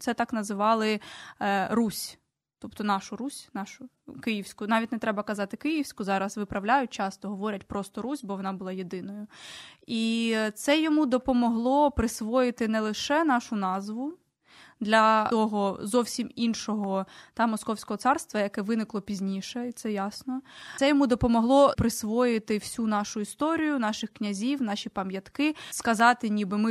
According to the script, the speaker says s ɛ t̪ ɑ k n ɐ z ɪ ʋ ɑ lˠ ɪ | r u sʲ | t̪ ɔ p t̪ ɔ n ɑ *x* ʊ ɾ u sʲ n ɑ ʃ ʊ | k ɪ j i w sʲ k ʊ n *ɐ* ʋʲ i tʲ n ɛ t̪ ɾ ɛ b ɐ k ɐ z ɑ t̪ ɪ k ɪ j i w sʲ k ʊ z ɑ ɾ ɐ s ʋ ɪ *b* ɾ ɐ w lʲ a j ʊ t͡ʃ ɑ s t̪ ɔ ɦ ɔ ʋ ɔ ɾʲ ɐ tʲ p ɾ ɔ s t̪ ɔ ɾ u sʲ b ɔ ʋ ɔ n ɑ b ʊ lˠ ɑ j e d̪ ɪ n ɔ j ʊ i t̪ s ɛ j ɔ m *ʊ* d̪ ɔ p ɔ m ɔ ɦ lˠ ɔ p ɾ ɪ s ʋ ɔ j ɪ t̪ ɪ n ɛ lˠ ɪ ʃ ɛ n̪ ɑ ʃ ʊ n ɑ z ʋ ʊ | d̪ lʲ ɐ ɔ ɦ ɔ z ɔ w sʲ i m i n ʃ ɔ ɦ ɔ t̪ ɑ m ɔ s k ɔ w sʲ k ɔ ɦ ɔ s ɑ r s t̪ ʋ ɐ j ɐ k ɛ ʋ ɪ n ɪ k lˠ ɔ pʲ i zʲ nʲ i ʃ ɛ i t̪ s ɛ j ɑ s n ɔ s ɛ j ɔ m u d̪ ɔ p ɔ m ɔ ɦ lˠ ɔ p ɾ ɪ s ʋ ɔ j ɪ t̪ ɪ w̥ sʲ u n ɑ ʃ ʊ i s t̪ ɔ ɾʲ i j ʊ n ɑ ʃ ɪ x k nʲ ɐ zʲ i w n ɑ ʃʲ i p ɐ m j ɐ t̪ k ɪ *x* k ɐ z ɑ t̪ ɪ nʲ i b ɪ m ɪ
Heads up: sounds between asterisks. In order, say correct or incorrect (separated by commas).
incorrect, incorrect, incorrect, incorrect, incorrect